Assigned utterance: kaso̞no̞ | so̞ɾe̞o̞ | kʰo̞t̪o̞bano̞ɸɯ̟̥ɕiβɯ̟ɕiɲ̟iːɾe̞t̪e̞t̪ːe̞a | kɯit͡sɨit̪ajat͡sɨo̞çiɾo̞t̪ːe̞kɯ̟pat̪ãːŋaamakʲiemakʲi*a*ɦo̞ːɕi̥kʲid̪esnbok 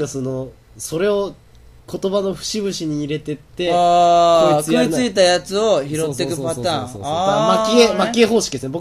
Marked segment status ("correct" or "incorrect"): incorrect